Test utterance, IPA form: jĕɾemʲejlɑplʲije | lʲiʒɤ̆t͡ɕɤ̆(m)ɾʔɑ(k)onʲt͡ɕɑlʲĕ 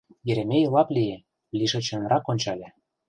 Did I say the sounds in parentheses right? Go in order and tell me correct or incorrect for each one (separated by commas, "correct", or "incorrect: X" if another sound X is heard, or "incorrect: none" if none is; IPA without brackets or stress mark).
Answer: incorrect: n, correct